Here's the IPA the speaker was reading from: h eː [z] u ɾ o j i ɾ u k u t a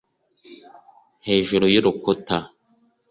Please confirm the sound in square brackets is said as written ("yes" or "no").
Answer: no